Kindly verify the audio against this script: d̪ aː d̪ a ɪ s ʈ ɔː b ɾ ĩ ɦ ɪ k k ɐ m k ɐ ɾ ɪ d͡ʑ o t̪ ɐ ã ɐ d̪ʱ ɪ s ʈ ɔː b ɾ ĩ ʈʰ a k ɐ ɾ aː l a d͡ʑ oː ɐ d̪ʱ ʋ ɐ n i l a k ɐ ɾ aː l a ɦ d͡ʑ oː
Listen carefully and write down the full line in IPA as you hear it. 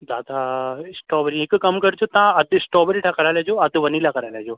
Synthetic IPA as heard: d̪ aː d̪ a ɪ s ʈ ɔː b ɾ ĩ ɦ ɪ k k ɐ m k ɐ ɾ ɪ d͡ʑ o t̪ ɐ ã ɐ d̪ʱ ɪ s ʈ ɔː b ɾ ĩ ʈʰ a k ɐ ɾ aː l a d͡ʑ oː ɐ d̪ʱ ʋ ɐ n i l a k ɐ ɾ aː l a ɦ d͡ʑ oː